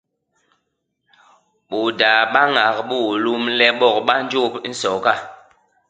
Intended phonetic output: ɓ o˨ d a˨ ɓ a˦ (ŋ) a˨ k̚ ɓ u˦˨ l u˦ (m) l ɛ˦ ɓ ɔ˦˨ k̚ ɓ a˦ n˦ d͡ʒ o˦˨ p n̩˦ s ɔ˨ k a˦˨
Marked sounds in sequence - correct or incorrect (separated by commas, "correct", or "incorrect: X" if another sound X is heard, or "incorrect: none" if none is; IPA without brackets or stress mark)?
correct, correct